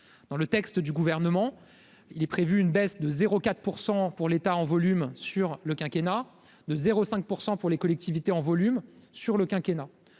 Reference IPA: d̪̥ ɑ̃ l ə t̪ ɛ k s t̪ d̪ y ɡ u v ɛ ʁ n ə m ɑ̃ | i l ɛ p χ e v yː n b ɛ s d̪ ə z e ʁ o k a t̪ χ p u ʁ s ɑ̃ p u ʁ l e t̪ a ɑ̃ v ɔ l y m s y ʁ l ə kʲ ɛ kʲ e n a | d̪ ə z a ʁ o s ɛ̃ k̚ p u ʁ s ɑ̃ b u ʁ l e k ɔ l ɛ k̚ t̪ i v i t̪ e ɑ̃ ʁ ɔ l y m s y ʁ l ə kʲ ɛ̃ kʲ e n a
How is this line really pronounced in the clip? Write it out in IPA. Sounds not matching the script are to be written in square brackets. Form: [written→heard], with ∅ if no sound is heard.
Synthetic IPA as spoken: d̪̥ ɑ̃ l ə t̪ ɛ k s t̪ d̪ y ɡ u v ɛ ʁ n ə m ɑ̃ | i l ɛ p χ e v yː n b ɛ s d̪ ə z e ʁ o k a t̪ χ p u ʁ s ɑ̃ p u ʁ l e t̪ a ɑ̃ v ɔ l y m s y ʁ l ə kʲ [ɛ→ɛ̃] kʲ e n a | d̪ ə z [a→e] ʁ o s ɛ̃ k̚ p u ʁ s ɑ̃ [b→p] u ʁ l e k ɔ l ɛ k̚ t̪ i v i t̪ e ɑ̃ [ʁ→v] ɔ l y m s y ʁ l ə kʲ ɛ̃ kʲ e n a